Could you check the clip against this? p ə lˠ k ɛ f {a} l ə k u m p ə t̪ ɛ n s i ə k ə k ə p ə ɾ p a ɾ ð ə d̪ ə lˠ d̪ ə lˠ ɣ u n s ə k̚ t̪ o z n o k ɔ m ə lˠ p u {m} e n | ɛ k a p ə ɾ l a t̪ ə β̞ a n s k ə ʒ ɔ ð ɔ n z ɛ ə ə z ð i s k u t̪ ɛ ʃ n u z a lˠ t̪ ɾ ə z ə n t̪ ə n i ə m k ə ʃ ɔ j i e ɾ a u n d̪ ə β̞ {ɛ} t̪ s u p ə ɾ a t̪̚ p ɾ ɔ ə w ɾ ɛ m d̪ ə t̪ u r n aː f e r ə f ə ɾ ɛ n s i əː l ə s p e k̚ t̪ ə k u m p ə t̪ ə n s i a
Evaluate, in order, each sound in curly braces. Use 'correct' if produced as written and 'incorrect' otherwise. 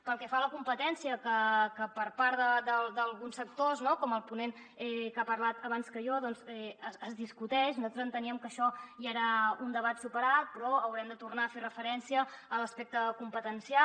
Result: correct, incorrect, incorrect

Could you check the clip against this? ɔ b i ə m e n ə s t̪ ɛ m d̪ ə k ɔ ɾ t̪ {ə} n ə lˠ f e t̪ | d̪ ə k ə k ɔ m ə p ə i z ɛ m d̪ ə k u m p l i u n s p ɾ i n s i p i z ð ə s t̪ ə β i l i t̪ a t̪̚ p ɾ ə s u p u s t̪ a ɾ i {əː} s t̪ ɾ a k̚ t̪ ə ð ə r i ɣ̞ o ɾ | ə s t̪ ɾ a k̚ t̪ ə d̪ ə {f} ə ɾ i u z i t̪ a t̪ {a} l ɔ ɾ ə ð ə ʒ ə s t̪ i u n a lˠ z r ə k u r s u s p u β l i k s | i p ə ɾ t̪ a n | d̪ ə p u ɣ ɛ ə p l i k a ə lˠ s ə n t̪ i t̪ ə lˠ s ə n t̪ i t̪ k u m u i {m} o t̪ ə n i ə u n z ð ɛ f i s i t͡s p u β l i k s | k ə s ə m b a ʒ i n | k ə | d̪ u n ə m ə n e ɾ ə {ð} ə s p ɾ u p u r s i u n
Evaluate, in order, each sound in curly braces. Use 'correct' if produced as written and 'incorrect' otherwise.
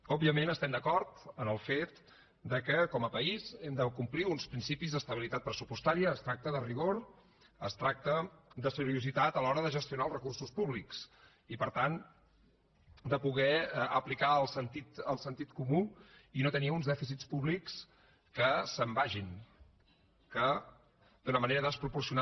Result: correct, correct, incorrect, incorrect, incorrect, correct

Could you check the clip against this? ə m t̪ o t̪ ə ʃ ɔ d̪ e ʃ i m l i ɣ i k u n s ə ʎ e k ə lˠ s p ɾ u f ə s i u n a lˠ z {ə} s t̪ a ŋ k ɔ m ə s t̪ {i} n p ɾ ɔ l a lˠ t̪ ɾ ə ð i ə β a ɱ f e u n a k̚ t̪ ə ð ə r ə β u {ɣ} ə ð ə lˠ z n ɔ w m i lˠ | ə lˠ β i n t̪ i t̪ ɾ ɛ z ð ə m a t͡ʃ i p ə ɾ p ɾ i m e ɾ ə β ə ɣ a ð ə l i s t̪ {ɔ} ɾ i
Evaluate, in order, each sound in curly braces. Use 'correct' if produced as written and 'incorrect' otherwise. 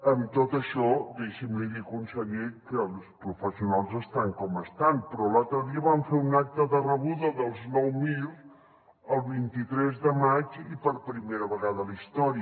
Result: correct, incorrect, incorrect, correct

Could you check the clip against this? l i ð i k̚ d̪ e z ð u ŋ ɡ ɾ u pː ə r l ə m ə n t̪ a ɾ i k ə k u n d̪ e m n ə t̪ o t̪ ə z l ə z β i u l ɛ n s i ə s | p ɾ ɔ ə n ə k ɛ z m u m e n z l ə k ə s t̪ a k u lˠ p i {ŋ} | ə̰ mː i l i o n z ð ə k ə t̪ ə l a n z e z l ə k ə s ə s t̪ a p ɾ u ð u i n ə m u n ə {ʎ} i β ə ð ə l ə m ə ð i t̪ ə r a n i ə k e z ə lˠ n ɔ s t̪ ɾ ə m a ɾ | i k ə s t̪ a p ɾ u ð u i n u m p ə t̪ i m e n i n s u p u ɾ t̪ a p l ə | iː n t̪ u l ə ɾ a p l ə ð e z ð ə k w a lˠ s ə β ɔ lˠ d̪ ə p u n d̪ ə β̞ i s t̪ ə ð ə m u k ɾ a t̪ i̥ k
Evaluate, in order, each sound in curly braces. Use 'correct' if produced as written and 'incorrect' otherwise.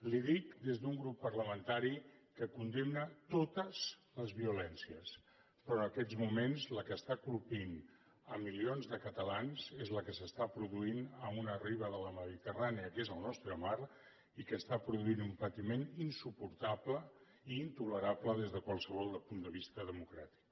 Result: incorrect, incorrect

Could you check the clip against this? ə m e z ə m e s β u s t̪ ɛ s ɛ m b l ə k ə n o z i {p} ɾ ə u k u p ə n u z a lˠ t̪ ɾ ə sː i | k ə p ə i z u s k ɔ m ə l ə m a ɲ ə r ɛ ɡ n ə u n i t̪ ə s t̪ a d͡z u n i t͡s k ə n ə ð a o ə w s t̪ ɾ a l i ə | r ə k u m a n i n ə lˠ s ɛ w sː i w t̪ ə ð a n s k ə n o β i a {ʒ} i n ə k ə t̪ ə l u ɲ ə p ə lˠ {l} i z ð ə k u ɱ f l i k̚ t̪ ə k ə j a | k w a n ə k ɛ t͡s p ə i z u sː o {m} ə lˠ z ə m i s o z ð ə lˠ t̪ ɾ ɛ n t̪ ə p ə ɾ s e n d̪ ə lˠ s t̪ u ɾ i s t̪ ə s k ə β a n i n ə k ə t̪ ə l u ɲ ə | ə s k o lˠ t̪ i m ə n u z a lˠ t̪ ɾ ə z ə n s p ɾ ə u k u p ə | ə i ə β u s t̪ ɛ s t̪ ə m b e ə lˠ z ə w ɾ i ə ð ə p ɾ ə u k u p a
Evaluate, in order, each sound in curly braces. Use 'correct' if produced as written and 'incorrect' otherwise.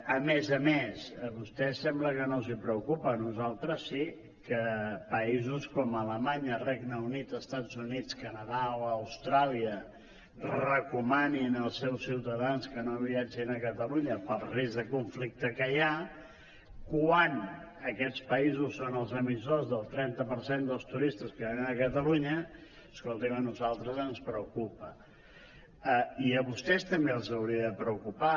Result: correct, incorrect, incorrect, incorrect

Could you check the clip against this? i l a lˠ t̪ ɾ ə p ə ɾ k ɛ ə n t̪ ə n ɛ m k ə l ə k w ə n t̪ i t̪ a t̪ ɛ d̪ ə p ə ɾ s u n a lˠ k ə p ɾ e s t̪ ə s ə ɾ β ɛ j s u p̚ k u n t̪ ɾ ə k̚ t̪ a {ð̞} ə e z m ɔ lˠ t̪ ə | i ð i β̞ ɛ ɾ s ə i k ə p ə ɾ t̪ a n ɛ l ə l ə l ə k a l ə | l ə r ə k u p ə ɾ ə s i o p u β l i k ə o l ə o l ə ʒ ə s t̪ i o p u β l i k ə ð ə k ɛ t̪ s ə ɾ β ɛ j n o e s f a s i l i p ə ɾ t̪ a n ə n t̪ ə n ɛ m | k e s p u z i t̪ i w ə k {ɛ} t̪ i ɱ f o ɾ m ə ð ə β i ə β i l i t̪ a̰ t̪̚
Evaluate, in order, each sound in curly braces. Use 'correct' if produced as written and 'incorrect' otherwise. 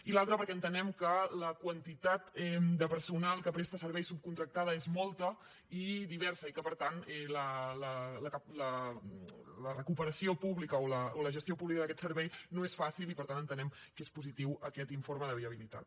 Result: correct, correct

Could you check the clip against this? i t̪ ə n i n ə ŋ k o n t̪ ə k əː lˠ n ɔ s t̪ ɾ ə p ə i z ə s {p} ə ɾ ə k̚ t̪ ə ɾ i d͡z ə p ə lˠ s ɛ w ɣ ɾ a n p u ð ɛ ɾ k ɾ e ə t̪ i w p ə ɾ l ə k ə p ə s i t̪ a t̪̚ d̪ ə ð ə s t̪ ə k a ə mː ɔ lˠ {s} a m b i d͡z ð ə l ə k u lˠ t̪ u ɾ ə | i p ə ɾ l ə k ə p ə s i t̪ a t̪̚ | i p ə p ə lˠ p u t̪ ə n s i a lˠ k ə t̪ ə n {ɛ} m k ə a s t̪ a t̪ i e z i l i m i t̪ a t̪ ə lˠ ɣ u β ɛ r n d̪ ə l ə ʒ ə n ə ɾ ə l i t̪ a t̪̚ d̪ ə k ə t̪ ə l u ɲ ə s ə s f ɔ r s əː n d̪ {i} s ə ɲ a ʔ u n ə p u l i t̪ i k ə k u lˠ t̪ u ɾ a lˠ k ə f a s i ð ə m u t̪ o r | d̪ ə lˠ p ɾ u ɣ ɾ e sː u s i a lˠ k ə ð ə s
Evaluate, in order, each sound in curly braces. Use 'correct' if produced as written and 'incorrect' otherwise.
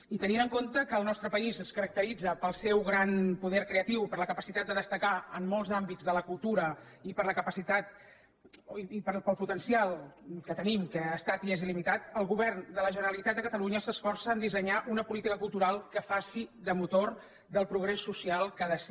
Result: incorrect, incorrect, incorrect, correct

